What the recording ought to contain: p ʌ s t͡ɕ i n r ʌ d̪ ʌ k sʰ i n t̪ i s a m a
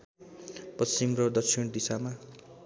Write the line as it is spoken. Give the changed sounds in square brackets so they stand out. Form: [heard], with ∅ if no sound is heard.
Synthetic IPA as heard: p ʌ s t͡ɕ i [m] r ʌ d̪ ʌ k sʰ i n [d̪] i s a m a